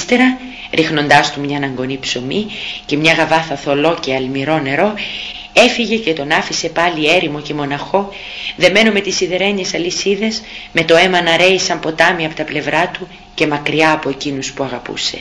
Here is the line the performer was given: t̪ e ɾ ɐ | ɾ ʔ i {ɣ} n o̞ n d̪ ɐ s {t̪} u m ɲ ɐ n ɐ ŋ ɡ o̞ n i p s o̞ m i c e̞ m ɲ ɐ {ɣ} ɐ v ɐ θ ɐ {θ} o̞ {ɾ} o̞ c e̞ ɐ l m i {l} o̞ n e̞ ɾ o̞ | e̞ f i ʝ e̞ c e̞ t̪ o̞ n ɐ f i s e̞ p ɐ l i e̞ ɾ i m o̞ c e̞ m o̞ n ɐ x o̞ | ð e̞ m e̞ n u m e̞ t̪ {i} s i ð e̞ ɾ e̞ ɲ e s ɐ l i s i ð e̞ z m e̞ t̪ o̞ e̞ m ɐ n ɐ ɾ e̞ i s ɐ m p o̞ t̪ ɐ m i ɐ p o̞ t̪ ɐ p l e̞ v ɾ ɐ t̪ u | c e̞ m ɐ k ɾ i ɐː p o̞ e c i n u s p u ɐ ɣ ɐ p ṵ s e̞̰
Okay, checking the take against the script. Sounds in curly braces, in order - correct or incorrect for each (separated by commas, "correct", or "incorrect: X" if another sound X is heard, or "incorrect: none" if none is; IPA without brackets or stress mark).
incorrect: x, correct, correct, correct, incorrect: l, incorrect: ɾ, correct